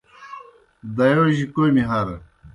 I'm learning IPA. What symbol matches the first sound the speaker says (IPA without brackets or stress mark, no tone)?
d̪